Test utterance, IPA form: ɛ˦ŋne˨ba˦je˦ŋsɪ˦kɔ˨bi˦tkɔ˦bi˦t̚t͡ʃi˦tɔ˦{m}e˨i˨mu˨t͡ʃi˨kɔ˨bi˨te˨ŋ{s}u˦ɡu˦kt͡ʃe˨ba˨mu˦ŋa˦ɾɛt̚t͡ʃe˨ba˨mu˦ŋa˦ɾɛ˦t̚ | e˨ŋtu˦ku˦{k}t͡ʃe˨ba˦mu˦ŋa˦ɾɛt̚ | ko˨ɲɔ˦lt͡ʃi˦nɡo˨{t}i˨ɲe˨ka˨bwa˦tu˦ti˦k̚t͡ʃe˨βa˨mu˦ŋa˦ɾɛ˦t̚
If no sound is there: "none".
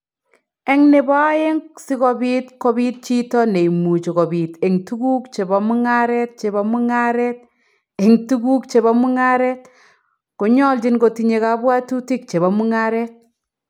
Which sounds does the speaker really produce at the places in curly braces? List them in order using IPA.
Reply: n, t, k, t

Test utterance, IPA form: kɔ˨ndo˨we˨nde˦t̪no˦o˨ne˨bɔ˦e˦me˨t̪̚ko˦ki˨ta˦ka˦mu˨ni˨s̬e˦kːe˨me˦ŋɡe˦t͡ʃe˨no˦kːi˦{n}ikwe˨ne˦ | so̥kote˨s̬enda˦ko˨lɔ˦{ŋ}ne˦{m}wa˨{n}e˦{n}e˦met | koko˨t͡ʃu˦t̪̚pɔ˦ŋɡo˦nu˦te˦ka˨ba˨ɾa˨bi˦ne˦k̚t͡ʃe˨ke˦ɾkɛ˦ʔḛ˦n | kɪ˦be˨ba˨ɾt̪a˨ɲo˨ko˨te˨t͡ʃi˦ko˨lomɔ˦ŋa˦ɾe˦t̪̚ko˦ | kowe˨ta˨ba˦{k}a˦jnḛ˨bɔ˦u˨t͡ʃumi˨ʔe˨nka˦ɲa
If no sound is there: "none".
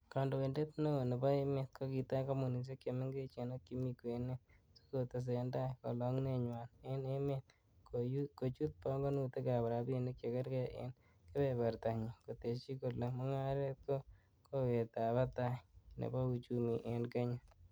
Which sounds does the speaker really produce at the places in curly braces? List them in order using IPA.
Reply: m, ŋ, ɲ, n, n, t

